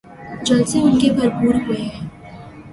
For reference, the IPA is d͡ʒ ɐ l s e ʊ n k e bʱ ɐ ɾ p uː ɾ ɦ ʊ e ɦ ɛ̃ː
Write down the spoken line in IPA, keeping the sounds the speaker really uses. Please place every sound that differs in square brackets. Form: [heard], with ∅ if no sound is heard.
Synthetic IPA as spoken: d͡ʒ ɐ l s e ʊ n k e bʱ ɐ ɾ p uː ɾ ɦ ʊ e ɦ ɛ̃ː

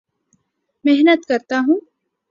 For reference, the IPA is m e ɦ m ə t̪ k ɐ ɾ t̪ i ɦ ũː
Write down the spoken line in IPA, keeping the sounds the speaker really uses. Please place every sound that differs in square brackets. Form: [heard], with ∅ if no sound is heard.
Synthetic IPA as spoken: m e ɦ [n] ə t̪ k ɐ ɾ t̪ [a] ɦ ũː

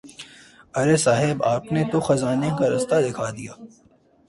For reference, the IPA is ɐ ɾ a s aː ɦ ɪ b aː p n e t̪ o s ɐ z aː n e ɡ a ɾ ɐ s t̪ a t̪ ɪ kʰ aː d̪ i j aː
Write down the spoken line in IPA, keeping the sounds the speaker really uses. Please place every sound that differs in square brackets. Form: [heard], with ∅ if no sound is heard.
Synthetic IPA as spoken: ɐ ɾ [e] s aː ɦ ɪ b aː p n e t̪ o [x] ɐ z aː n e [k] a ɾ ɐ s t̪ a [d̪] ɪ kʰ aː d̪ i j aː

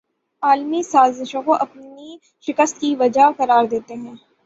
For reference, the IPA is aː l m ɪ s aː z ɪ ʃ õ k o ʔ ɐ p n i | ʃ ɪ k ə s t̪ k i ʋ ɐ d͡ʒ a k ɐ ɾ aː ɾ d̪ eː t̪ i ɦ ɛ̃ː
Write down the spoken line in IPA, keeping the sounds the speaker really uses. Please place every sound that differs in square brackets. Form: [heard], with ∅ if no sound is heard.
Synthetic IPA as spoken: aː l m [i] s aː z ɪ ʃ õ k o ʔ ɐ p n i | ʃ ɪ k ə s t̪ k i ʋ ɐ d͡ʒ a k ɐ ɾ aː ɾ d̪ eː t̪ [e] ɦ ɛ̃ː

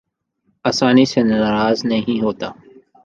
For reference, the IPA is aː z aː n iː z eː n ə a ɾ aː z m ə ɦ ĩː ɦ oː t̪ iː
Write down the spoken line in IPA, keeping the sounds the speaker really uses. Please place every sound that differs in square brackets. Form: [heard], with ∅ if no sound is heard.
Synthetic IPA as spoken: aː [s] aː n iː [s] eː n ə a ɾ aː z [n] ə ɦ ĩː ɦ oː t̪ [aː]

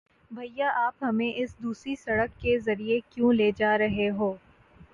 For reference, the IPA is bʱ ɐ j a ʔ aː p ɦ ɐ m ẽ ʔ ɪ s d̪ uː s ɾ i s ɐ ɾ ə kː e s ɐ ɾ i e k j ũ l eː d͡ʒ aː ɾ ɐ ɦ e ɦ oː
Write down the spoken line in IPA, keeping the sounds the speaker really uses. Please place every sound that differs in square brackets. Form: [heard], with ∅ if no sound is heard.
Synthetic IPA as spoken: bʱ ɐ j a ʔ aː p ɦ ɐ m ẽ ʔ ɪ s d̪ uː s ɾ i s ɐ [ɽ] ə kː e [z] ɐ ɾ i e k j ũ l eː d͡ʒ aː ɾ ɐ ɦ e ɦ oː

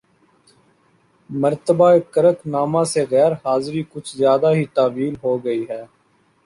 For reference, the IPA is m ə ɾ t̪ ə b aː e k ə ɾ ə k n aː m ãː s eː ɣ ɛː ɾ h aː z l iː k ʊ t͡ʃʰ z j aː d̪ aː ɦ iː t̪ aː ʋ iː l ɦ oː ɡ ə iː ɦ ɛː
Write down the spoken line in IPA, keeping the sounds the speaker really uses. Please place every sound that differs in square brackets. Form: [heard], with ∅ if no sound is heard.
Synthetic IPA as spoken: m ə ɾ t̪ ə b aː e k ə ɾ ə k n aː m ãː s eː ɣ ɛː ɾ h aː z [ɾ] iː k ʊ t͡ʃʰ z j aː d̪ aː ɦ iː t̪ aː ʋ iː l ɦ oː ɡ ə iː ɦ ɛː

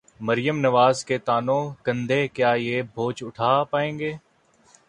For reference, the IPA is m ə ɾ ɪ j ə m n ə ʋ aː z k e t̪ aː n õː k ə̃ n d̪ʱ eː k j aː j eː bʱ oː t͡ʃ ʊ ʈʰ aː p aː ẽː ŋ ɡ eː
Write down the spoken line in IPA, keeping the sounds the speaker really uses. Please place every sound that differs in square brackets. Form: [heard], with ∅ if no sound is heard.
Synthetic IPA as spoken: m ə ɾ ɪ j ə m n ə ʋ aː z k e t̪ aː n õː k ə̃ n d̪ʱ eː k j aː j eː bʱ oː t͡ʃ ʊ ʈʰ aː p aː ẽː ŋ ɡ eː

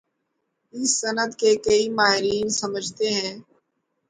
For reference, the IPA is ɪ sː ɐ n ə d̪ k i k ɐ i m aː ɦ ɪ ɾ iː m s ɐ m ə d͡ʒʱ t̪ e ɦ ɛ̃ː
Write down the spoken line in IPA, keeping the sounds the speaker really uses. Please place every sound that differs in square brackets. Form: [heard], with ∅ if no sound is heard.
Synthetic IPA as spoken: ɪ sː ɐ n ə d̪ k [e] k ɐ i m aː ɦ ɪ ɾ iː [n] s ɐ m ə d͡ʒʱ t̪ e ɦ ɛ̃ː

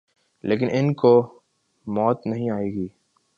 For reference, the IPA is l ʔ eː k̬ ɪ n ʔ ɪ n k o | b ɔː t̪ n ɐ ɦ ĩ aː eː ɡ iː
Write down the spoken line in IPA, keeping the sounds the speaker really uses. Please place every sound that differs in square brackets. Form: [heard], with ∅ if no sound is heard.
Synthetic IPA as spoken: l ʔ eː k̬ ɪ n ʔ ɪ n k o | [m] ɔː t̪ n ɐ ɦ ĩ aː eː ɡ iː

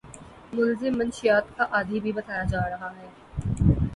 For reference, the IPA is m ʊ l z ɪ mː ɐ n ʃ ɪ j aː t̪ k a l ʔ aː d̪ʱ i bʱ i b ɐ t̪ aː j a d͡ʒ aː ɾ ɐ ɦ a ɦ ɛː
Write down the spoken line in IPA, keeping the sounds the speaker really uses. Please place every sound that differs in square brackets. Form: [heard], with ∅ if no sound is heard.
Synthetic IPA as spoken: m ʊ l z ɪ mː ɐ n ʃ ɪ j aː t̪ k a [∅] ʔ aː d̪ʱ i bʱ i b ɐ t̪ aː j a d͡ʒ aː ɾ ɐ ɦ a ɦ ɛː

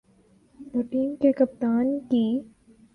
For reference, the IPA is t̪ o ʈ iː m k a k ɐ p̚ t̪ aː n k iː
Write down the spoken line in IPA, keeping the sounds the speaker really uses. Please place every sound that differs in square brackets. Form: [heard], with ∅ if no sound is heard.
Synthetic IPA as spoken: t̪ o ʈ iː m k [e] k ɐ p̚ t̪ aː n k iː

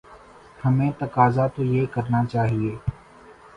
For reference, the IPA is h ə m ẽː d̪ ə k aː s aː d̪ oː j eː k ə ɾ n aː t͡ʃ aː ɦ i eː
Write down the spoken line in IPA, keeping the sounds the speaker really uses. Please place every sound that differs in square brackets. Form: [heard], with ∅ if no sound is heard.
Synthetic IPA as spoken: h ə m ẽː [t̪] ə k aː [z] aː [t̪] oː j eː k ə ɾ n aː t͡ʃ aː ɦ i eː

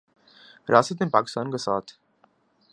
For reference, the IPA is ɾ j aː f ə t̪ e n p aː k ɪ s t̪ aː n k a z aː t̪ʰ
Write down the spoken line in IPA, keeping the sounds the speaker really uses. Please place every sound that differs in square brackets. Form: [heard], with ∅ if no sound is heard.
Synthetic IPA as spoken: ɾ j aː [s] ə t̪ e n p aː k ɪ s t̪ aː n k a [s] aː t̪ʰ

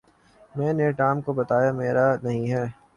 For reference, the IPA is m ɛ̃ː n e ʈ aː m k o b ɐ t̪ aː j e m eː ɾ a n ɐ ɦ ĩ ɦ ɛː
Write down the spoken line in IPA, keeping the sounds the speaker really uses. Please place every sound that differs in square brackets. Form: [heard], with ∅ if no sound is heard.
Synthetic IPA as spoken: m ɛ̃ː n e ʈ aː m k o b ɐ t̪ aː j [a] m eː ɾ a n ɐ ɦ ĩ ɦ ɛː

